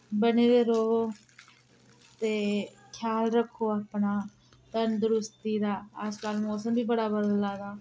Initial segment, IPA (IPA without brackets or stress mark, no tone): b